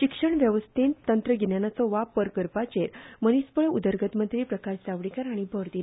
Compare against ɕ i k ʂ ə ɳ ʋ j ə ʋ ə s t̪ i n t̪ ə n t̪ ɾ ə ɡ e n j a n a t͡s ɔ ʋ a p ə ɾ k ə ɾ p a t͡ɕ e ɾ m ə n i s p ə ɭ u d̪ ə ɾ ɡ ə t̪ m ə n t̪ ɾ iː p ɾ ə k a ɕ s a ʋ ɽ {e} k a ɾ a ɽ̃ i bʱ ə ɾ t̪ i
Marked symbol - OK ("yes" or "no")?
no